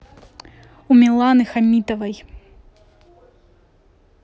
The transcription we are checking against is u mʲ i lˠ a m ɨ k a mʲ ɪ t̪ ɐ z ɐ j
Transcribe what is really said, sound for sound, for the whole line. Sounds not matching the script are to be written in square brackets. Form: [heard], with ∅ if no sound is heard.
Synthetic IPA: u mʲ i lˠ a [n] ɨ [x] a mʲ [i] t̪ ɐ [v] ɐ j